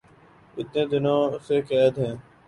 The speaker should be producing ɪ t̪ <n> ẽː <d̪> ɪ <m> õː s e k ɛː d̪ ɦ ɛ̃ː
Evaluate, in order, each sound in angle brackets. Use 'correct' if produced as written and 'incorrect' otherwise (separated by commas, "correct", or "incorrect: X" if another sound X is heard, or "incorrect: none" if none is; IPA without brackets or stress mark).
correct, correct, incorrect: n